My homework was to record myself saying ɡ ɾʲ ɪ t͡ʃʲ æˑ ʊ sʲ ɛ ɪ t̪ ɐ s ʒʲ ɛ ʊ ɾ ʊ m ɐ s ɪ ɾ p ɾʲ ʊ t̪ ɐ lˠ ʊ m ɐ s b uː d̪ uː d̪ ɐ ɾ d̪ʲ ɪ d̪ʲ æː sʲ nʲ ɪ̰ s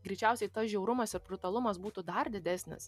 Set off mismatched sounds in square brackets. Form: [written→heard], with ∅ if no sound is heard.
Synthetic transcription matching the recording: ɡ ɾʲ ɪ t͡ʃʲ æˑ ʊ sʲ ɛ ɪ t̪ ɐ s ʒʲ ɛ ʊ ɾ ʊ m ɐ s ɪ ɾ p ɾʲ ʊ t̪ ɐ lˠ ʊ m ɐ s b uː [d̪→t̪] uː d̪ ɐ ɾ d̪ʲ ɪ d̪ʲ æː sʲ nʲ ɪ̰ s